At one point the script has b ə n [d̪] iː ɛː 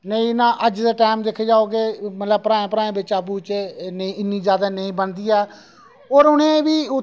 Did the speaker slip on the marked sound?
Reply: no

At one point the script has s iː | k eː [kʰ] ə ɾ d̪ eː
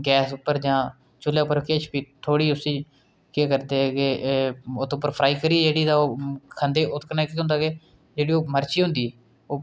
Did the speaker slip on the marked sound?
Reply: yes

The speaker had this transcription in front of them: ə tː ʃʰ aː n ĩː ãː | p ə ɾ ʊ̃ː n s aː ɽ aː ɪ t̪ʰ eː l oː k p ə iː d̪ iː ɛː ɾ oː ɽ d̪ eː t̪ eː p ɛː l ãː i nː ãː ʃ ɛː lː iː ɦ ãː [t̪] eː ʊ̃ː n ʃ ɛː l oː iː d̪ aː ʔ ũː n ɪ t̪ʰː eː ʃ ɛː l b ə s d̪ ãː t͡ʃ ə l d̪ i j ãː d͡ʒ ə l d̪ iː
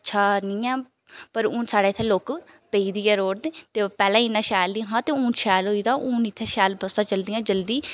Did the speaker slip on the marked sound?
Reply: no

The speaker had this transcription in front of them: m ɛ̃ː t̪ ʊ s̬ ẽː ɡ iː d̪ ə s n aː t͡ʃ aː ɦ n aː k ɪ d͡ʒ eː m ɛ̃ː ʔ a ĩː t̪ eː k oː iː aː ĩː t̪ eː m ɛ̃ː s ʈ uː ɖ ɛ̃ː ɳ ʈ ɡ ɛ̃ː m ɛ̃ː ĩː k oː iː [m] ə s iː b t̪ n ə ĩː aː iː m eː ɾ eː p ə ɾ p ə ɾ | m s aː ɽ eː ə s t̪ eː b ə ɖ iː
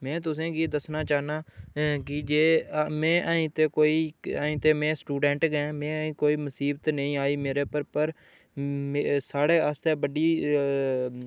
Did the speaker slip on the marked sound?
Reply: no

